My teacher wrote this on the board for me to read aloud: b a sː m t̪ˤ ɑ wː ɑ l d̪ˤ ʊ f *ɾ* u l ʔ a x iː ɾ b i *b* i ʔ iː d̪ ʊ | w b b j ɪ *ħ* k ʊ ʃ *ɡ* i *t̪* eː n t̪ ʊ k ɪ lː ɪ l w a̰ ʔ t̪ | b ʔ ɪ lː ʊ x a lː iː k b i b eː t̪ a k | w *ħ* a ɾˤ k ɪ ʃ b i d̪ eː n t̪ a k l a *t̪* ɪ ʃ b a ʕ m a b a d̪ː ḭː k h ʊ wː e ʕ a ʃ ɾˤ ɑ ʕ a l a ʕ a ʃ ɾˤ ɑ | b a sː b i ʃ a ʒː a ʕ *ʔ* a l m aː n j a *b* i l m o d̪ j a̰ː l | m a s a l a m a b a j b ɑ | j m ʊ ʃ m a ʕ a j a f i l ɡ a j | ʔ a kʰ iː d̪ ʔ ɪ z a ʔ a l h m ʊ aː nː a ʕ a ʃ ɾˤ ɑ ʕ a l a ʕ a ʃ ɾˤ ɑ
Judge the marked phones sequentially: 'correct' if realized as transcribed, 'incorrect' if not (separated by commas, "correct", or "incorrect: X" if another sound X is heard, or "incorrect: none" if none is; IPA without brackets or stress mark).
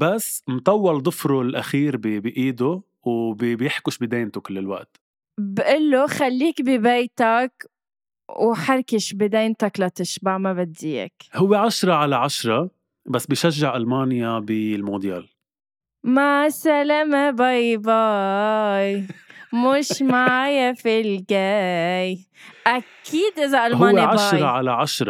correct, correct, correct, incorrect: b, incorrect: d̪, correct, correct, correct, correct